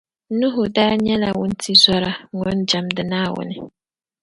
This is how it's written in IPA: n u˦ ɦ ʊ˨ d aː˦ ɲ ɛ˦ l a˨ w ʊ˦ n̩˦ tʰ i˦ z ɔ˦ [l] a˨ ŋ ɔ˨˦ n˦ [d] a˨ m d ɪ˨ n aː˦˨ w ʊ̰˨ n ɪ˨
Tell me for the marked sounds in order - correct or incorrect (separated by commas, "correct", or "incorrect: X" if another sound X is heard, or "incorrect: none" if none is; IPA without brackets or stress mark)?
incorrect: ɾ, incorrect: d͡ʒ